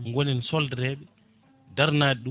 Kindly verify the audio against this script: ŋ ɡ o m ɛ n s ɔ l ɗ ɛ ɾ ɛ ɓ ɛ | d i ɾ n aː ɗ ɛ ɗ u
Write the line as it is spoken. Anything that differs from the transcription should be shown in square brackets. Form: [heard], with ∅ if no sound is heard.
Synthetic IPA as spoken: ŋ ɡ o [n] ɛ n s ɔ l [d] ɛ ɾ ɛ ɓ ɛ | d [a] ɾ n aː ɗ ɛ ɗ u